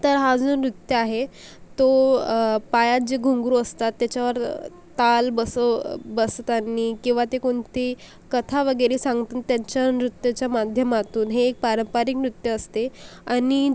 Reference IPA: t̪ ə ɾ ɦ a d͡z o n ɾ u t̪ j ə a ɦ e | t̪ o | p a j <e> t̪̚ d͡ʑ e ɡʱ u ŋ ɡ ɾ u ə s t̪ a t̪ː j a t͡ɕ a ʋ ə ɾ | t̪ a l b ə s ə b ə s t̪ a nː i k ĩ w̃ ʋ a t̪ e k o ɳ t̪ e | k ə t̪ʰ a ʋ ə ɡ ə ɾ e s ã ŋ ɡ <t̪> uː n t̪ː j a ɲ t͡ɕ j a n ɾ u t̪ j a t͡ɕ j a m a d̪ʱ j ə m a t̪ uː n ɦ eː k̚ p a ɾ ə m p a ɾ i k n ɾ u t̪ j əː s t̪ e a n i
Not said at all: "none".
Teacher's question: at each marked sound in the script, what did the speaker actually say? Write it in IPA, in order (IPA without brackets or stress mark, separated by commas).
a, t̪